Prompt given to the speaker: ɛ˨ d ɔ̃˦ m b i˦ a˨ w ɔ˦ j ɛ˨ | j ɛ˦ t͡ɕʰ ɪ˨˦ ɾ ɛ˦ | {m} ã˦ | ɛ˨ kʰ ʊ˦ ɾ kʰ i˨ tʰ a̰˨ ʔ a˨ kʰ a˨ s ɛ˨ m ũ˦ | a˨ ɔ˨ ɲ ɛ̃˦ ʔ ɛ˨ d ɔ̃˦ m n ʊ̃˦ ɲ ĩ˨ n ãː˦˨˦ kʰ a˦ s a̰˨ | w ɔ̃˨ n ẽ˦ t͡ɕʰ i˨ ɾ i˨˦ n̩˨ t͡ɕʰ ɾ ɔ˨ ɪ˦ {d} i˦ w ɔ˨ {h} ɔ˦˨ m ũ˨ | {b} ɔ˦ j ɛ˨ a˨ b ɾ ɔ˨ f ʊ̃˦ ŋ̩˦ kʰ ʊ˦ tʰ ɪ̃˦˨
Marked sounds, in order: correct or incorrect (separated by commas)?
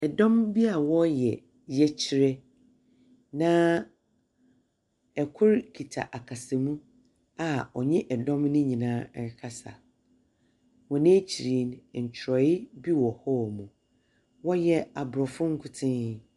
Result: incorrect, incorrect, correct, incorrect